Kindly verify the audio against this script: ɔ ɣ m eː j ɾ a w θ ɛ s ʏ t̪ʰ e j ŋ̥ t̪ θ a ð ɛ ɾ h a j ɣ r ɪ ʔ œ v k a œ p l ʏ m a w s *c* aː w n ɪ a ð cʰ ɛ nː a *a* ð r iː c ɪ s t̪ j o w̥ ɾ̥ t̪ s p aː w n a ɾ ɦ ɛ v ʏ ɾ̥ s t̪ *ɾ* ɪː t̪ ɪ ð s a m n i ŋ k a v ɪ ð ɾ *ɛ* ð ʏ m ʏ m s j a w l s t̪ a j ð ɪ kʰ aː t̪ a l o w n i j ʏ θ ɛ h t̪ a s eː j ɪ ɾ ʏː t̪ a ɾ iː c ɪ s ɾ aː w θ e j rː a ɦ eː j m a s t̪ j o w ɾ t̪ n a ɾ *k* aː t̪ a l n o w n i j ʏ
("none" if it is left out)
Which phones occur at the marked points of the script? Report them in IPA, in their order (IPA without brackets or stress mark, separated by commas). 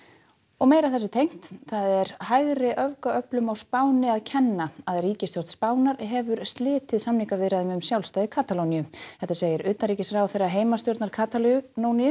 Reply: p, a, l, a, kʰ